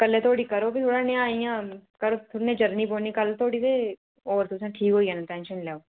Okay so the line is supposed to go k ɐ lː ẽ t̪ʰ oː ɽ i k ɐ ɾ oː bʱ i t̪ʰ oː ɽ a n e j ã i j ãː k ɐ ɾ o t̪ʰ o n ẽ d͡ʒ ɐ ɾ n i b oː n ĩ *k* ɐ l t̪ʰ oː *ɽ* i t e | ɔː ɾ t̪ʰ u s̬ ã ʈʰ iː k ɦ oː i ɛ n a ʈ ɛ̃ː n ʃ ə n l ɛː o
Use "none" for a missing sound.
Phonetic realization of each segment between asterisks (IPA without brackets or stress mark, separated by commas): k, ɽ